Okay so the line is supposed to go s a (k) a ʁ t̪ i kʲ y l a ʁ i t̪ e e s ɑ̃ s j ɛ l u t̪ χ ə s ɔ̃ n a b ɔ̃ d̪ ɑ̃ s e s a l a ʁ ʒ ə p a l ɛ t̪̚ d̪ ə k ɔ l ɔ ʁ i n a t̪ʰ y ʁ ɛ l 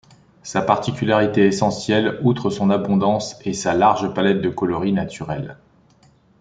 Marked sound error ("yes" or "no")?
yes